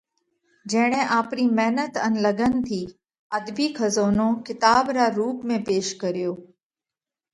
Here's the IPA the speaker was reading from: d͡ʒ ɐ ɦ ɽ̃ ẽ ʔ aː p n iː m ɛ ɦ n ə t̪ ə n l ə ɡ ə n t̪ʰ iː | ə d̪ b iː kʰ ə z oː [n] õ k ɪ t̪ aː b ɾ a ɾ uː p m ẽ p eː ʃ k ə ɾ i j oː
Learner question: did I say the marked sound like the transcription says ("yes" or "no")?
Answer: yes